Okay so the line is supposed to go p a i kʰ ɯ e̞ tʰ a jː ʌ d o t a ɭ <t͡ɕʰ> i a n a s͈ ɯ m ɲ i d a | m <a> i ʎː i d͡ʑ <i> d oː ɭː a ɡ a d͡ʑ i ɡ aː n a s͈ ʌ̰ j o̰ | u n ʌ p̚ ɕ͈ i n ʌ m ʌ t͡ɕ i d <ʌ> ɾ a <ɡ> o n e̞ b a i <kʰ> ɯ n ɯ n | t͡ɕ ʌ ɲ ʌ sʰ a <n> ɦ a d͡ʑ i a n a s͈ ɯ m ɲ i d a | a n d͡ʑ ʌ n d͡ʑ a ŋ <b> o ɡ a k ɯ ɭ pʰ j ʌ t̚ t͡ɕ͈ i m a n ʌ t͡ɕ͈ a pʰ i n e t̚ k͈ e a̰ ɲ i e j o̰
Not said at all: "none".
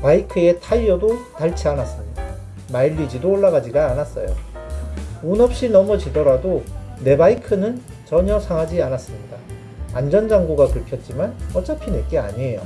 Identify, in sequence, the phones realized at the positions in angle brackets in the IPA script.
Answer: t͡ɕʰ, a, i, ʌ, d, kʰ, ŋ, ɡ

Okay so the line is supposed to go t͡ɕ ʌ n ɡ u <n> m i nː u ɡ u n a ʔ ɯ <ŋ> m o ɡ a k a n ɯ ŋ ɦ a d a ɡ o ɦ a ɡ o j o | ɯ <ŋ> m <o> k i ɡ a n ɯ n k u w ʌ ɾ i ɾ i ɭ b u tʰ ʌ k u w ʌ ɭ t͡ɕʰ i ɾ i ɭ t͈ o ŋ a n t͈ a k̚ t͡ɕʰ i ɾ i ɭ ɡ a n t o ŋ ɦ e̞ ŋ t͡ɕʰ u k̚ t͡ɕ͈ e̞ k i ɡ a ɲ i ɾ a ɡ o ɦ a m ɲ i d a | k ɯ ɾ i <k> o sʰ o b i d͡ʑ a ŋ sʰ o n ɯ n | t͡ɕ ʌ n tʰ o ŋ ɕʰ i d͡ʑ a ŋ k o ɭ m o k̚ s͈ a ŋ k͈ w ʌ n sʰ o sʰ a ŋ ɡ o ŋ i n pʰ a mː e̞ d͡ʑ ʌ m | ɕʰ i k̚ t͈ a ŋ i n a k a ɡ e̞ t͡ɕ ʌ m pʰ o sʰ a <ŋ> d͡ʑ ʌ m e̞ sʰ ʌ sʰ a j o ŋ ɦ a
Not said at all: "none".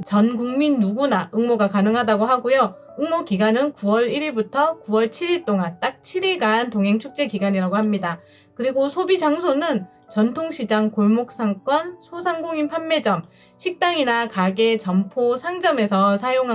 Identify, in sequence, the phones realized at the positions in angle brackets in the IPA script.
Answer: ŋ, ŋ, ŋ, o, ɡ, ŋ

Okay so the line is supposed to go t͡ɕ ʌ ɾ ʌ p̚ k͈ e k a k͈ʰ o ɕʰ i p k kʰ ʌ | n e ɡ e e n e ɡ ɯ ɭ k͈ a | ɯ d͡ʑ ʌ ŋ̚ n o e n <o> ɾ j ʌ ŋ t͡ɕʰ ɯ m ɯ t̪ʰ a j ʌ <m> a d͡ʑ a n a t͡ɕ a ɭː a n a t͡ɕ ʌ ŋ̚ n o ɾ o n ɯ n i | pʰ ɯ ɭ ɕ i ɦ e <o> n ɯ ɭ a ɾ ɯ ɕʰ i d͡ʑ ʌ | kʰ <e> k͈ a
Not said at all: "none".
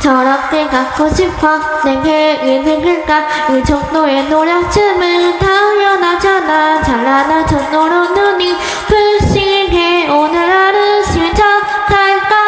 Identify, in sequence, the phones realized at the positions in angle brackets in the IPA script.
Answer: o, n, o, a

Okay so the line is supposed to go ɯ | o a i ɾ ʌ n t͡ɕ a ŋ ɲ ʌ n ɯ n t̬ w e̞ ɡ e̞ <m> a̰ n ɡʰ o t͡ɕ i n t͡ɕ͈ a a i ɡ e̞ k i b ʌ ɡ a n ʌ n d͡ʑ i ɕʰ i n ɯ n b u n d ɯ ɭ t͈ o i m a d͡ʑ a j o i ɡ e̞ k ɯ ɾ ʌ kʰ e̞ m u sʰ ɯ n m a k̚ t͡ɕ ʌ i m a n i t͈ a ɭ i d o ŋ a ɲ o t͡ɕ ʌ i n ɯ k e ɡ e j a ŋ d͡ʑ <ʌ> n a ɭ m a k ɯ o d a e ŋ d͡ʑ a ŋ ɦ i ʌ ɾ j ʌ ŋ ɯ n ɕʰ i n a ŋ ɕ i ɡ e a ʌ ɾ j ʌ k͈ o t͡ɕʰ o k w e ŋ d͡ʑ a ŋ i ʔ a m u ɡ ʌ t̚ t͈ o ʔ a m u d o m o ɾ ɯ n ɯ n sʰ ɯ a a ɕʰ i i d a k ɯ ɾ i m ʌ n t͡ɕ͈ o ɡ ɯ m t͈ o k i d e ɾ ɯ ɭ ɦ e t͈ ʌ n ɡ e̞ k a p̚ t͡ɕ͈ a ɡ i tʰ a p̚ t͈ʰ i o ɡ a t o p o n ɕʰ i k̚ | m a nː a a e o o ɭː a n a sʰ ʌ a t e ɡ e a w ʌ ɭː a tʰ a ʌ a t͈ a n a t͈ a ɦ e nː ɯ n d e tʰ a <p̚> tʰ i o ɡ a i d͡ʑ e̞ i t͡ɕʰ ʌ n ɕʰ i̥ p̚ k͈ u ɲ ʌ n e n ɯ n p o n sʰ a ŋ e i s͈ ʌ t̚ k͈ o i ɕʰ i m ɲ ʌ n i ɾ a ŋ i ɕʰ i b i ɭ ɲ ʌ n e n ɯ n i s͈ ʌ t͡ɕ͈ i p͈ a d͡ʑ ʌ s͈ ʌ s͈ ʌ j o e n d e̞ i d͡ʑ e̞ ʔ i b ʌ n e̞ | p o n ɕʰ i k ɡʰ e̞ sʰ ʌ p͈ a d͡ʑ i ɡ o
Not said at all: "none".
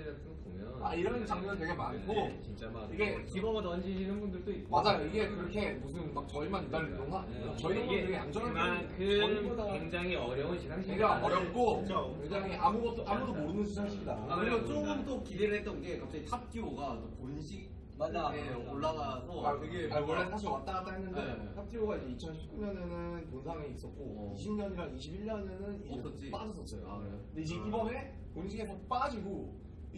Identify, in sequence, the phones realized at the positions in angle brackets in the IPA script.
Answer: m, ʌ, p̚

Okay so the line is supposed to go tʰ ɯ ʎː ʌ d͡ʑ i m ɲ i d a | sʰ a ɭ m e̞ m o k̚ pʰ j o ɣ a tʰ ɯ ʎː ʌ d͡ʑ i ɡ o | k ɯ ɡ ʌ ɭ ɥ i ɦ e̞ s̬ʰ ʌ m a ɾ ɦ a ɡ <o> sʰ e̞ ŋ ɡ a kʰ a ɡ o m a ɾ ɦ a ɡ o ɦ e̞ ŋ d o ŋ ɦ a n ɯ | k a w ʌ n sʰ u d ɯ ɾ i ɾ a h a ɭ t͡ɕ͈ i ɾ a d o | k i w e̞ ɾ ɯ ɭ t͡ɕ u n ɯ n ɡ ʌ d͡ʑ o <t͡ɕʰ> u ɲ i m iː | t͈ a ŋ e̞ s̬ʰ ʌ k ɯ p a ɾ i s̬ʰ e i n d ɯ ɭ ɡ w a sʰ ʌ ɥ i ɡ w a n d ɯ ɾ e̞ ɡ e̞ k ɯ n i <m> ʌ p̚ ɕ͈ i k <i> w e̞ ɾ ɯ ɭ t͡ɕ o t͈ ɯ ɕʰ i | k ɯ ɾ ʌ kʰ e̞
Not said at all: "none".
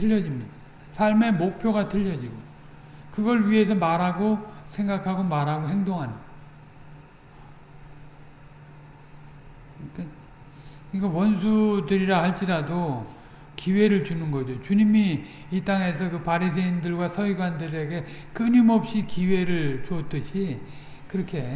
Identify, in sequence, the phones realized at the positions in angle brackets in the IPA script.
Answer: o, t͡ɕ, m, i

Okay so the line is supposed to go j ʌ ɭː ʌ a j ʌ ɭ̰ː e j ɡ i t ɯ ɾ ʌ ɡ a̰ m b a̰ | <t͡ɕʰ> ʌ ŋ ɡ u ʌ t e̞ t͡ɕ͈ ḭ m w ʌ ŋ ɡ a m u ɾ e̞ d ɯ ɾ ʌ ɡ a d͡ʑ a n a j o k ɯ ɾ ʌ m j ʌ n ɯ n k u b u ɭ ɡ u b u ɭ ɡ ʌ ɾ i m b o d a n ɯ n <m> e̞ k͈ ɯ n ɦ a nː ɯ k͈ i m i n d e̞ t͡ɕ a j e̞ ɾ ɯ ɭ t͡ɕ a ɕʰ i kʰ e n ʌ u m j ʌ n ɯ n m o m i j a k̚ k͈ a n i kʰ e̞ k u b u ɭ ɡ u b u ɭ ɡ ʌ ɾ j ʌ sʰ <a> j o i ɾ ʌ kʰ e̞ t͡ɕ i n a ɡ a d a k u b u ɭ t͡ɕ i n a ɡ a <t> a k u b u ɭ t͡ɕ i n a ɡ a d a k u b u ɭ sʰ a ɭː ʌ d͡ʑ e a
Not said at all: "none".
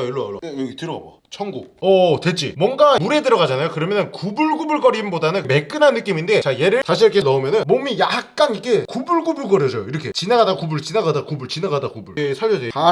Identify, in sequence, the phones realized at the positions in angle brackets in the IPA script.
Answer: t͡ɕʰ, m, ʌ, d

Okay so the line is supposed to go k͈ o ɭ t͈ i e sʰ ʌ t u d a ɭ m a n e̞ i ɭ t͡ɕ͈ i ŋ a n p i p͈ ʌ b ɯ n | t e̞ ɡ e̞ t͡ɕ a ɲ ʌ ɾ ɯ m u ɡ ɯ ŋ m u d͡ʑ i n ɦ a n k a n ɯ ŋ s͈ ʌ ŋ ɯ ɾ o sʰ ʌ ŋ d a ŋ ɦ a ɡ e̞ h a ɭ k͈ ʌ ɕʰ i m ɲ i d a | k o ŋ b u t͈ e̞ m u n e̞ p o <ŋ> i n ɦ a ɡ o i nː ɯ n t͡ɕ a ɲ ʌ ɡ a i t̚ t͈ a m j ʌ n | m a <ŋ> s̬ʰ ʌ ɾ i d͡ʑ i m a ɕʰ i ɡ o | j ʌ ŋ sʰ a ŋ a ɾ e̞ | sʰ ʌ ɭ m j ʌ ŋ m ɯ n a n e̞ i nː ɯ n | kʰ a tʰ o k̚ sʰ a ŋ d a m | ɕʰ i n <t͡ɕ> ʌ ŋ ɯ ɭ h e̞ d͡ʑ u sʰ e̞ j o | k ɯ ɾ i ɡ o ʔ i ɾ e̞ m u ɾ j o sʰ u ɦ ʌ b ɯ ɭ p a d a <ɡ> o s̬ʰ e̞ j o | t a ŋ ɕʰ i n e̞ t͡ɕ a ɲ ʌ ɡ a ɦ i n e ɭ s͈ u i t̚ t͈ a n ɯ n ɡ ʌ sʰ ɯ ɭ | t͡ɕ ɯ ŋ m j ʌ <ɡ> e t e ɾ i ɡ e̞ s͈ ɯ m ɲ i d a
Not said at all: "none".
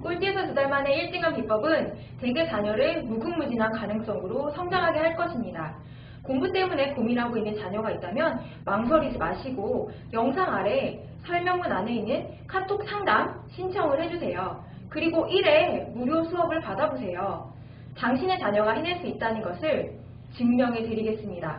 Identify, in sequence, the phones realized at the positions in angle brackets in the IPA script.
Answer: m, ŋ, t͡ɕʰ, b, ŋ

